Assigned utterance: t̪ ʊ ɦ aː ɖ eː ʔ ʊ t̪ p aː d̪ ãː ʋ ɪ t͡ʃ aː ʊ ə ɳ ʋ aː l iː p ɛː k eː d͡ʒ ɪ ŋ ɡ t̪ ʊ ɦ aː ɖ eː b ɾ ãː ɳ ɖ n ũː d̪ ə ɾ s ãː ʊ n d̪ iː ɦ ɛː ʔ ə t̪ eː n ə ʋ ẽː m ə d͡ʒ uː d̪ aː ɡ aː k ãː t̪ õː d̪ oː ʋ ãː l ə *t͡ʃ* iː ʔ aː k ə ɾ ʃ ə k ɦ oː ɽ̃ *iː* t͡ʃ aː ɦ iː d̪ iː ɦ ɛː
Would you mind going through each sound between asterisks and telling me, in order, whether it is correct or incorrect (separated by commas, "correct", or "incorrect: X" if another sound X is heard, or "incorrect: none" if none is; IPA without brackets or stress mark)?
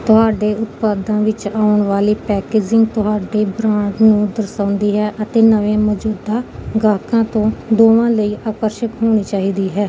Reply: incorrect: none, correct